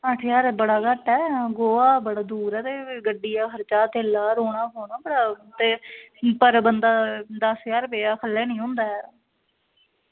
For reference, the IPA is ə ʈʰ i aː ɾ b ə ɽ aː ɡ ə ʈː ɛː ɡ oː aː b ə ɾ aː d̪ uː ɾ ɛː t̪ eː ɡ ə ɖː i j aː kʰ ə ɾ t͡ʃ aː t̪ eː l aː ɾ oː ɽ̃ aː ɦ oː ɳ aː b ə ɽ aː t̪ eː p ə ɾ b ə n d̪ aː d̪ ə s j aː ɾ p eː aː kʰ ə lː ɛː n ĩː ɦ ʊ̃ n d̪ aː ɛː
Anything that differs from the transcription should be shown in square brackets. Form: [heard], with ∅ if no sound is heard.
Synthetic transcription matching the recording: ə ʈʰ [j] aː ɾ b ə ɽ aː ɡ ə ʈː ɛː ɡ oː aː b ə [ɽ] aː d̪ uː ɾ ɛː t̪ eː ɡ ə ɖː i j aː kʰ ə ɾ t͡ʃ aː t̪ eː l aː ɾ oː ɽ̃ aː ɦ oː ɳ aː b ə ɽ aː t̪ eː p ə ɾ b ə n d̪ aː d̪ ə s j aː ɾ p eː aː kʰ ə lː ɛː n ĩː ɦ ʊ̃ n d̪ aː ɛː